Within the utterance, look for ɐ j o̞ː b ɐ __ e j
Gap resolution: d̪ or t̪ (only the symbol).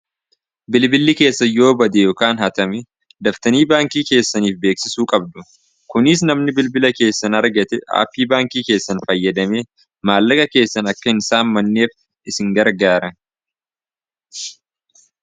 d̪